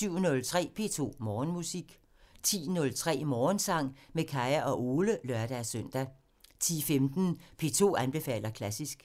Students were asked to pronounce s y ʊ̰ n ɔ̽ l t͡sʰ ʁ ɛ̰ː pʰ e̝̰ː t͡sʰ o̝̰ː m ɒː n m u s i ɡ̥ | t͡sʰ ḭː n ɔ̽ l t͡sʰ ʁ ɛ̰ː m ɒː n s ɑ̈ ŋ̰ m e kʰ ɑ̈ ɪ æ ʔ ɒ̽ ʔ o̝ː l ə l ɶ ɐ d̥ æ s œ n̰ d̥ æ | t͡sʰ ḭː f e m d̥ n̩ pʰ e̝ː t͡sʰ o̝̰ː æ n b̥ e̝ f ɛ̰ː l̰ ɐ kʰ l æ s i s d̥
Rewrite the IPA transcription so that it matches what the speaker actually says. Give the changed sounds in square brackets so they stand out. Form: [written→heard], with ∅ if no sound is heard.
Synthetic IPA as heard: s y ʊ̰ n ɔ̽ l t͡sʰ ʁ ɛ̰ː pʰ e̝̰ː t͡sʰ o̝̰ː m ɒː n m u s i ɡ̥ | t͡sʰ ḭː n ɔ̽ l t͡sʰ ʁ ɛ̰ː m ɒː n s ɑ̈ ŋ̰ m e kʰ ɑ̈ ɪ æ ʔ ɒ̽ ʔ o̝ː l ə l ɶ ɐ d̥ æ s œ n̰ d̥ æ | t͡sʰ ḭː f e m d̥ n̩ pʰ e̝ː t͡sʰ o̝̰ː æ n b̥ e̝ f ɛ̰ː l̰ ɐ kʰ l æ s i s [d̥→ɡ̥]